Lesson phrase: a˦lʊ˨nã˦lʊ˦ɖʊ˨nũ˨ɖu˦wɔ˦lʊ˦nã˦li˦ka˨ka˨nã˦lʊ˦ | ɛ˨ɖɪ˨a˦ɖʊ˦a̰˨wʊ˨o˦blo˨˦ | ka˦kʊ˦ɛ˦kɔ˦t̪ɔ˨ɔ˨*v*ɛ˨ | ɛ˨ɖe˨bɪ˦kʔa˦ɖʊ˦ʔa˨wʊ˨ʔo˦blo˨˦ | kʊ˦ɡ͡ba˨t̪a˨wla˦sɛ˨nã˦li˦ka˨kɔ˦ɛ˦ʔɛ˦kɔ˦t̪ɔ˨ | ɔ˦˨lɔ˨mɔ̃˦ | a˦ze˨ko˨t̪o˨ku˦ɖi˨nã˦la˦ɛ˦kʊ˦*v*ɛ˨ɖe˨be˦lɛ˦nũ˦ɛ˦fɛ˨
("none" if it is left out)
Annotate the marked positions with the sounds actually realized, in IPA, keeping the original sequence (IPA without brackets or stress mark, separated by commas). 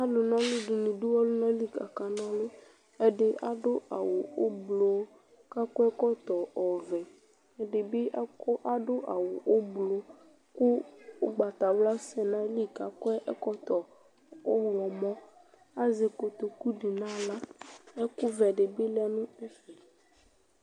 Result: v, v